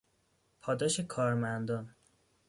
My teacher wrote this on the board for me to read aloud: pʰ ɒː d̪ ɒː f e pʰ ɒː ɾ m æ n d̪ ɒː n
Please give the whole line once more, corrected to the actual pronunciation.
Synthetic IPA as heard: pʰ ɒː d̪ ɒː ʃ e kʰ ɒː ɾ m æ n d̪ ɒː n